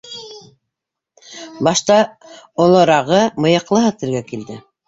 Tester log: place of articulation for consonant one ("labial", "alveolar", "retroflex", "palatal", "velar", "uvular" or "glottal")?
labial